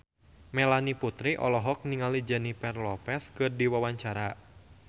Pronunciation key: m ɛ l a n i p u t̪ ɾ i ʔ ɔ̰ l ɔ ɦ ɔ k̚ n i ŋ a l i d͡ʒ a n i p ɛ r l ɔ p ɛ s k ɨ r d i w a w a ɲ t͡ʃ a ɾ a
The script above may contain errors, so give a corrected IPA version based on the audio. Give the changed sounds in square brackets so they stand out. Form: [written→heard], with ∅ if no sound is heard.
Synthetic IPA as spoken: m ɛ l a n i p u t̪ ɾ i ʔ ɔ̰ l ɔ ɦ ɔ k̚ n i ŋ a l i d͡ʒ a n i p ɛ r l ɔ p ɛ s k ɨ r d i w a w a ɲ t͡ʃ a ɾ a